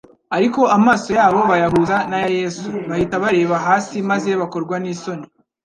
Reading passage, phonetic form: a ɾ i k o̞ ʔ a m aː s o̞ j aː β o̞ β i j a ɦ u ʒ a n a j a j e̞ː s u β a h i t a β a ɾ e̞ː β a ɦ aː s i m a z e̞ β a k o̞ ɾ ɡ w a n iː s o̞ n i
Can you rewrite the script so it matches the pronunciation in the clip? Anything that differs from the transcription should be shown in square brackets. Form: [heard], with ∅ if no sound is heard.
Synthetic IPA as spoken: a ɾ i k o̞ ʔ a m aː s o̞ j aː β o̞ β [a] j a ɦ u [z] a n a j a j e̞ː s u β a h i t a β a ɾ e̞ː β a ɦ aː s i m a z e̞ β a k o̞ ɾ ɡ w a n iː s o̞ n i